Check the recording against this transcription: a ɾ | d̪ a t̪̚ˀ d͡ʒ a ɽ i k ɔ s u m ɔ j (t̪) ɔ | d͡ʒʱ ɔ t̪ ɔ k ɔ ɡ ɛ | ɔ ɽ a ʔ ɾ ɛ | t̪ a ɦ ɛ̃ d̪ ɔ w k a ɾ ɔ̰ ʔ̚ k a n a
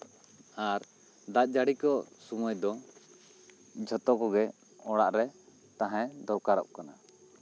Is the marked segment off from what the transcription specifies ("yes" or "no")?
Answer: yes